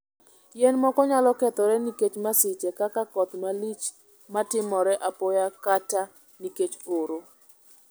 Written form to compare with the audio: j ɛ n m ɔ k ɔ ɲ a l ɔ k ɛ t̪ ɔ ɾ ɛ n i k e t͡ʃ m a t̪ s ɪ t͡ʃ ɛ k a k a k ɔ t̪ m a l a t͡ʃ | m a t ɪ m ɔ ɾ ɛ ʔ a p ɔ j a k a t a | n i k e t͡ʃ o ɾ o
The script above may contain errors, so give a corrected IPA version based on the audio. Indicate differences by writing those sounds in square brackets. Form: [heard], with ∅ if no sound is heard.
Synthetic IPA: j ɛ n m ɔ k ɔ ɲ a l ɔ k ɛ t̪ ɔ ɾ ɛ n i k e t͡ʃ m a [∅] s ɪ t͡ʃ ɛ k a k a k ɔ t̪ m a l [i] t͡ʃ | m a t ɪ m ɔ ɾ ɛ ʔ a p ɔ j a k a t a | n i k e t͡ʃ o ɾ o